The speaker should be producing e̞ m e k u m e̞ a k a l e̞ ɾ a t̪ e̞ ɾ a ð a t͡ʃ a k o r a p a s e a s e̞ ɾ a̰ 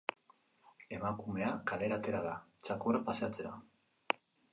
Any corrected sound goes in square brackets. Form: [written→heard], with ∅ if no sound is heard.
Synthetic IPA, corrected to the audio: e̞ m [e→a] k u m e̞ a k a l e̞ ɾ a t̪ e̞ ɾ a ð a t͡ʃ a k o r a p a s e a [s→t͡s] e̞ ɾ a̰